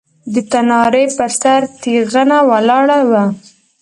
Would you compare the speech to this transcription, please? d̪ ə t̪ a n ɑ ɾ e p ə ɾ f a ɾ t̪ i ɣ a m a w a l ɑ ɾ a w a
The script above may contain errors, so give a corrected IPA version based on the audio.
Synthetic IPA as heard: d̪ ə t̪ a n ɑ ɾ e p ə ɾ s a ɾ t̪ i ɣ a n a w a l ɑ ɽ a w a